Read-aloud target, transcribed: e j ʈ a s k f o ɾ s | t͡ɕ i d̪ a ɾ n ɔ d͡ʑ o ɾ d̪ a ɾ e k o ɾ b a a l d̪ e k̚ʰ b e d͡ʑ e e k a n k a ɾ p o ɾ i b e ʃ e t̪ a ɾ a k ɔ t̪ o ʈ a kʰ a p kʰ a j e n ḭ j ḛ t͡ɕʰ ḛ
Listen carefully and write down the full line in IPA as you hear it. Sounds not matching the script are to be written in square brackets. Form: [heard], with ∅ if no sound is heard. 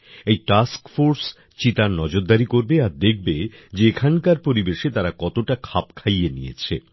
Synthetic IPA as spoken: e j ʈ a s k f o ɾ s | t͡ɕ i [t̪] a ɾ n ɔ d͡ʑ o ɾ d̪ a ɾ [i] k o ɾ b [e] a [ɾ] d̪ e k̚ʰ b e d͡ʑ e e [kʰ] a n k a ɾ p o ɾ i b e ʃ e t̪ a ɾ a k ɔ t̪ o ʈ a kʰ a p kʰ a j e n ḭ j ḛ t͡ɕʰ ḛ